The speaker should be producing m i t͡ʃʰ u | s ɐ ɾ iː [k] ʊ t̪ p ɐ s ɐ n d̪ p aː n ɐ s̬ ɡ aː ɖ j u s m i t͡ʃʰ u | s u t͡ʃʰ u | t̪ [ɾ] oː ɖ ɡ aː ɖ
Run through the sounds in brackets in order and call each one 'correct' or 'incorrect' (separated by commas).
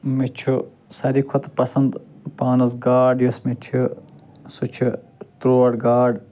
incorrect, correct